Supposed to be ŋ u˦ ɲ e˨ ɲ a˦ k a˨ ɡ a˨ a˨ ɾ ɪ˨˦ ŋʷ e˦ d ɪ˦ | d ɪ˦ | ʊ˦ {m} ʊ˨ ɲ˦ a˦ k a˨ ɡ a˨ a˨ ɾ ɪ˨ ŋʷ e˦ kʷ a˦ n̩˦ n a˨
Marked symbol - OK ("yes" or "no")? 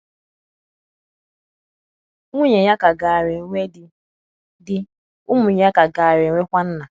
yes